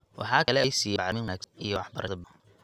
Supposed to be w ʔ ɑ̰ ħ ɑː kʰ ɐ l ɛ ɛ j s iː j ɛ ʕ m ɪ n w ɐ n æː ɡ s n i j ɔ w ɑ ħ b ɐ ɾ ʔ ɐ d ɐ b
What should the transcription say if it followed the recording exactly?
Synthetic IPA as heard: w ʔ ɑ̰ ħ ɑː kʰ ɐ l ɛ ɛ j s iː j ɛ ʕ m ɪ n w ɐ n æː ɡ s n i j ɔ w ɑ ħ b ɐ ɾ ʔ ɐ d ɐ b